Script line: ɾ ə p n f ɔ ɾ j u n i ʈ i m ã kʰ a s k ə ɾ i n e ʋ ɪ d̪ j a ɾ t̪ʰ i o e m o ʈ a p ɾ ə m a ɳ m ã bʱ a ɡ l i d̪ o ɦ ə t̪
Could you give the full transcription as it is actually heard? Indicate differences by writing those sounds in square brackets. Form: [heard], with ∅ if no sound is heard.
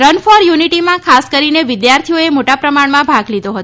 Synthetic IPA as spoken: ɾ ə [∅] n f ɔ ɾ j u n i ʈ i m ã kʰ a s k ə ɾ i n e ʋ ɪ d̪ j a ɾ t̪ʰ i o e m o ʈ a p ɾ ə m a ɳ m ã bʱ a ɡ l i d̪ o ɦ ə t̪